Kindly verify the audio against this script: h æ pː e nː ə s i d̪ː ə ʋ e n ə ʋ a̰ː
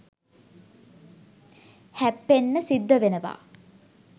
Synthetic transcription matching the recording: h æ pː e nː ə s i d̪ː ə ʋ e n ə ʋ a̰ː

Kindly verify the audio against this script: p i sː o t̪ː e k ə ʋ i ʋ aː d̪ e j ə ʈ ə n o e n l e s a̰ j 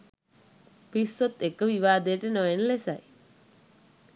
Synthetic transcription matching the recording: p i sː o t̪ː e k ə ʋ i ʋ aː d̪ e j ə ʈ ə n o e n l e s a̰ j

